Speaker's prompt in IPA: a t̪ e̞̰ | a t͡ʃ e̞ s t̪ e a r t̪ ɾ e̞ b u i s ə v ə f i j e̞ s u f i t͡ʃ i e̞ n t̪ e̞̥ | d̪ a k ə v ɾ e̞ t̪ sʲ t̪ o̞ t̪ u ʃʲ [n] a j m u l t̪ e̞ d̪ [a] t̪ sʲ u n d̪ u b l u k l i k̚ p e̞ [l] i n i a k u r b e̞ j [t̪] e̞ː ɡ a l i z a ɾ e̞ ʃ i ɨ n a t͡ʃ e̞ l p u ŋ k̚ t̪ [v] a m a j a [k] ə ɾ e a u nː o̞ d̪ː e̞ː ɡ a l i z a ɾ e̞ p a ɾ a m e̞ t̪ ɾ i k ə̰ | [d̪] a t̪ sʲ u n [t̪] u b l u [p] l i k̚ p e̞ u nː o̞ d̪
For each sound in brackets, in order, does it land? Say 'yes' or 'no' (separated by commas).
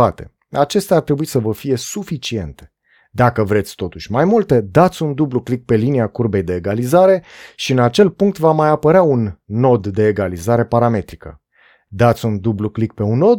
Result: no, yes, yes, no, yes, no, yes, no, no